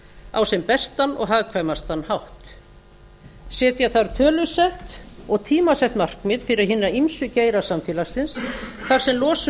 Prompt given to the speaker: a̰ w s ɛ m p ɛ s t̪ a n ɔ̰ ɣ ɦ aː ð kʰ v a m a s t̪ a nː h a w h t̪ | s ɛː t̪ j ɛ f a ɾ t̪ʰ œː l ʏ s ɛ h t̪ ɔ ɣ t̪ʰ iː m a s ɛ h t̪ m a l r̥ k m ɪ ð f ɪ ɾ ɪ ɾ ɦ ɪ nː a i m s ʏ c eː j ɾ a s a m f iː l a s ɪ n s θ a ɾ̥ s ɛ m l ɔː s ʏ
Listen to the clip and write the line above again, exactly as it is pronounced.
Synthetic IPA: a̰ w s ɛ m p ɛ s t̪ a n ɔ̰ ɣ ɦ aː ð kʰ v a m a s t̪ a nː h a w h t̪ | s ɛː t̪ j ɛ θ a ɾ t̪ʰ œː l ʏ s ɛ h t̪ ɔ ɣ t̪ʰ iː m a s ɛ h t̪ m a r̥ k m ɪ ð f ɪ ɾ ɪ ɾ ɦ ɪ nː a i m s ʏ c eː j ɾ a s a m f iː l a s ɪ n s θ a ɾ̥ s ɛ m l ɔː s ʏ